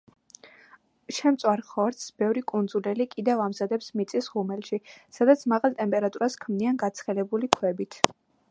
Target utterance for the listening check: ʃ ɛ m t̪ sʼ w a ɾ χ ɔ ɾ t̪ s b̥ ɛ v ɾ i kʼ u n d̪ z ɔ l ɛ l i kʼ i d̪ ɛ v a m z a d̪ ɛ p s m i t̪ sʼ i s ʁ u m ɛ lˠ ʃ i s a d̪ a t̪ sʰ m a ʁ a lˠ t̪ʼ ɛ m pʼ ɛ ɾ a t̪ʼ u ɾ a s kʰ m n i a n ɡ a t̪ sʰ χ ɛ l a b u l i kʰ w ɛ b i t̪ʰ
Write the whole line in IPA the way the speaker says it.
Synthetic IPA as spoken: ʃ ɛ m t̪ sʼ w a ɾ χ ɔ ɾ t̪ s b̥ ɛ v ɾ i kʼ u n d̪ z u l ɛ l i kʼ i d̪ ɛ v a m z a d̪ ɛ p s m i t̪ sʼ i s ʁ u m ɛ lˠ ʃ i s a d̪ a t̪ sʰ m a ʁ a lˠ t̪ʼ ɛ m pʼ ɛ ɾ a t̪ʼ u ɾ a s kʰ m n i a n ɡ a t̪ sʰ χ ɛ l ɛ b u l i kʰ w ɛ b i t̪ʰ